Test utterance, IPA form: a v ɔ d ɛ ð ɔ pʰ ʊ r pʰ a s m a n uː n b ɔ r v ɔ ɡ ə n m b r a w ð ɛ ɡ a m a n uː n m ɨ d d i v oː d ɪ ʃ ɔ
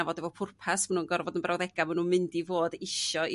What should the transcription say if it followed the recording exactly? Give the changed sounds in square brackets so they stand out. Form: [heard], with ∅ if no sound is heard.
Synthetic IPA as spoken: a v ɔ d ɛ [v] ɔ pʰ ʊ r pʰ a s m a n uː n [ɡ] ɔ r v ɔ [d] ə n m b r a w ð ɛ ɡ a m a n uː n m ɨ [n] d i v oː d ɪ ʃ ɔ